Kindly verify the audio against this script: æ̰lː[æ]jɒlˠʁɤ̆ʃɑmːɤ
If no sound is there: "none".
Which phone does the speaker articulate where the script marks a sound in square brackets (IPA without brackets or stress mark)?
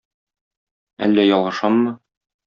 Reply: æ